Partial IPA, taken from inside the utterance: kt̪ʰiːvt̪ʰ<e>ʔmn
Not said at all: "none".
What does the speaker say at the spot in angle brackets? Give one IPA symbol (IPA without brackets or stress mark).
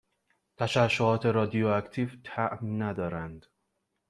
æ